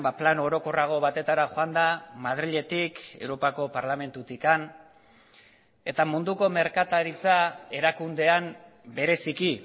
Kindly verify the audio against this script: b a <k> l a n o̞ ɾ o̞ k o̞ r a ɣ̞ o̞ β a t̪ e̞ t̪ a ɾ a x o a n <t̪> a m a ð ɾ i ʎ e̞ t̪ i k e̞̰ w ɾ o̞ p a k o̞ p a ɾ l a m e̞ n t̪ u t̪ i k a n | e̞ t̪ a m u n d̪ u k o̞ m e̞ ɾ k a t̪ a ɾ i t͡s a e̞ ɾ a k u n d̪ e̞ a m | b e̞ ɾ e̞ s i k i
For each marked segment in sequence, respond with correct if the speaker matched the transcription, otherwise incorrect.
incorrect, incorrect

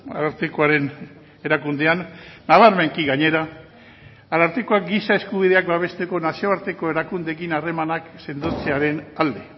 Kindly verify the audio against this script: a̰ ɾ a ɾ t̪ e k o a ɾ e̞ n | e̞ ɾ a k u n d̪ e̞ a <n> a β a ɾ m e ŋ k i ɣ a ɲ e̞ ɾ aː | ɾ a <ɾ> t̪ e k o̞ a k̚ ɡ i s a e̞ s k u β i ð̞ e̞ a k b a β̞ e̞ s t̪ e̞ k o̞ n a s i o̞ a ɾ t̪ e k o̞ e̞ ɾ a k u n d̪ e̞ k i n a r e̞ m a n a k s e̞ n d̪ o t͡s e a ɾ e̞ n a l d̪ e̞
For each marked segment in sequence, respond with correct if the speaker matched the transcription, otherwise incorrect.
incorrect, correct

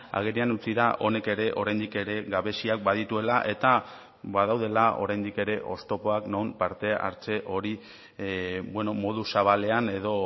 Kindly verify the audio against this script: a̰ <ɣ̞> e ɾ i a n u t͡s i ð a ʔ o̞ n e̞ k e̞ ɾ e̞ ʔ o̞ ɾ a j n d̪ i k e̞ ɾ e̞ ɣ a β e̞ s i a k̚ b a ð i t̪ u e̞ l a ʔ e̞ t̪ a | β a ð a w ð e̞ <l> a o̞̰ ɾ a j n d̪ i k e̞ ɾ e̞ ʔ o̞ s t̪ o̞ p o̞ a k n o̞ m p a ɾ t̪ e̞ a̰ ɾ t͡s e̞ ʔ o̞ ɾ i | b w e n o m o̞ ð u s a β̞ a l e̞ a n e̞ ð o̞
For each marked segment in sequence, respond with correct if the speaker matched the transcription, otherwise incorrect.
correct, correct

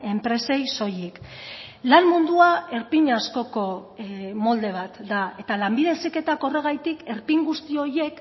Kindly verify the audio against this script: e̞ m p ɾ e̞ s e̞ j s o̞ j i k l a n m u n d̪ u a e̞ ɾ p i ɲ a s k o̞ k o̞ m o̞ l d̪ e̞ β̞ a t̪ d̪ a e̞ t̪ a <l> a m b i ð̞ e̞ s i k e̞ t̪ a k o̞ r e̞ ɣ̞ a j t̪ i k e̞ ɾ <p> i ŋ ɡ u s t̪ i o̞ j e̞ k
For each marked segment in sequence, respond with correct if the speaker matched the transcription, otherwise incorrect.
correct, correct

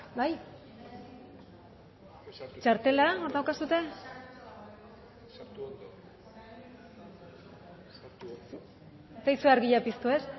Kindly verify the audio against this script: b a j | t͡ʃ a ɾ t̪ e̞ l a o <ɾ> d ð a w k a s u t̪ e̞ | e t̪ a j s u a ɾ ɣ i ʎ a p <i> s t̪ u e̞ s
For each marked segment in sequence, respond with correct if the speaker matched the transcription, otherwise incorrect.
correct, correct

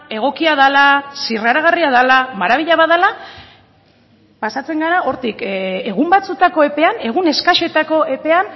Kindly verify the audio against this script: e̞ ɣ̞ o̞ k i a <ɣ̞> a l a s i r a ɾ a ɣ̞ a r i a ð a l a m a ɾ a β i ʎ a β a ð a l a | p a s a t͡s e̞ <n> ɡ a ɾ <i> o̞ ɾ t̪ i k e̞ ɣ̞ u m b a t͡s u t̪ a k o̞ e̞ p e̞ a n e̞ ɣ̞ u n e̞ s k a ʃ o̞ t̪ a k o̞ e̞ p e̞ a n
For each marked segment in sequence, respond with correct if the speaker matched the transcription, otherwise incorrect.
incorrect, incorrect, incorrect

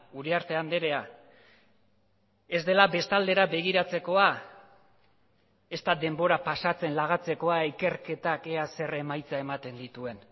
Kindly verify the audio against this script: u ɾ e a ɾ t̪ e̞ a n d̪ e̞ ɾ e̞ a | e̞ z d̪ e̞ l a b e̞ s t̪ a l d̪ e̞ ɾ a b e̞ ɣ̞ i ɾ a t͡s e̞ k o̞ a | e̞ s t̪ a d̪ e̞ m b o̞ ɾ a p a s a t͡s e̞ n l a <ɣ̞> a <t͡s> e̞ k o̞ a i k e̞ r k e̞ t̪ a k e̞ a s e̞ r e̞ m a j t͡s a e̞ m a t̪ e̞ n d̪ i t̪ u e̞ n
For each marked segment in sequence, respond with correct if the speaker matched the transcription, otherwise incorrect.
correct, correct

